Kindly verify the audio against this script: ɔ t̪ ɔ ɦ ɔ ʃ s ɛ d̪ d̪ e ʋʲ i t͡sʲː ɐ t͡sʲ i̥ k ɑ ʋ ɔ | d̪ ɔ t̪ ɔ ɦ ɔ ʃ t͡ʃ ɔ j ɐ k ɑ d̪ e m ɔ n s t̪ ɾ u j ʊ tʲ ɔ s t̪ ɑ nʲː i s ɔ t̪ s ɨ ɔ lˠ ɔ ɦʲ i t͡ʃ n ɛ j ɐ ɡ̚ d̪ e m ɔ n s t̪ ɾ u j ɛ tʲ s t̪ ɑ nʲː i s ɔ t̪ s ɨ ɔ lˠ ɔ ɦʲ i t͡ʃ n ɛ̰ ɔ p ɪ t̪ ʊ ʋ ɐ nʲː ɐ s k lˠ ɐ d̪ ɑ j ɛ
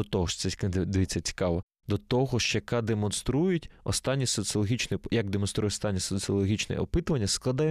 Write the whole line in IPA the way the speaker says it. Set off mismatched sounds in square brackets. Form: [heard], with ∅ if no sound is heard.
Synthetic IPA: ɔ t̪ ɔ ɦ ɔ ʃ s ɛ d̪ d̪ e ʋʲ i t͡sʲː ɐ t͡sʲ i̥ k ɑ ʋ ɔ | d̪ ɔ t̪ ɔ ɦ ɔ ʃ t͡ʃ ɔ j ɐ k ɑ d̪ e m ɔ n s t̪ ɾ u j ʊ tʲ ɔ s t̪ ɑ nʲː i s ɔ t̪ s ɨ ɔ lˠ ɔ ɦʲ i t͡ʃ n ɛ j ɐ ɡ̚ d̪ e m ɔ n s t̪ ɾ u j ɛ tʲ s t̪ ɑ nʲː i s ɔ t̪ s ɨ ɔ lˠ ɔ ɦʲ i t͡ʃ n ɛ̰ ɔ p ɪ t̪ ʊ ʋ ɐ nʲː ɐ s k lˠ ɐ d̪ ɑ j ɛ